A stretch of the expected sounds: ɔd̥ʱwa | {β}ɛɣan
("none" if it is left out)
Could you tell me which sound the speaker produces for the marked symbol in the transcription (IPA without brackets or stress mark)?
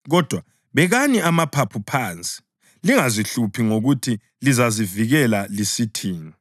β